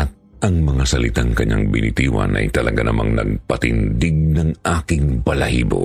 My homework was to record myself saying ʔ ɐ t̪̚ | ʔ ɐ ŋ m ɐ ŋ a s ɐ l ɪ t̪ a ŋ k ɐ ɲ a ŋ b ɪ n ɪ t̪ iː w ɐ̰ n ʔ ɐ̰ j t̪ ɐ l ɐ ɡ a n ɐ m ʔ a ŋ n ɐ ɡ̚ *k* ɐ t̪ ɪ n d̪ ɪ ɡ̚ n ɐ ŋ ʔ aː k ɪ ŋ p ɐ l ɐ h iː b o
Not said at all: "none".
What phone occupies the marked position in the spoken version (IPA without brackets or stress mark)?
p